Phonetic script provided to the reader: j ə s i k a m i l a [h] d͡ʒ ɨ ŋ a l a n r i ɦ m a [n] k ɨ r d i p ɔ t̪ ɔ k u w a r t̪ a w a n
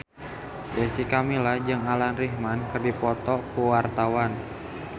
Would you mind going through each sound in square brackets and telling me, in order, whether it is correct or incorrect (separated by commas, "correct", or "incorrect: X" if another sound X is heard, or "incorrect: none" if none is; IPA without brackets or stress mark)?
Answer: correct, correct